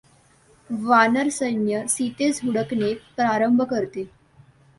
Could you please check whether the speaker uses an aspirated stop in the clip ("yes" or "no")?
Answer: no